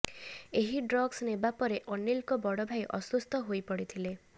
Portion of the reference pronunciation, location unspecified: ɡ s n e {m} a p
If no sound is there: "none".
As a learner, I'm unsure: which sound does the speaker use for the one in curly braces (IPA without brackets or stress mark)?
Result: b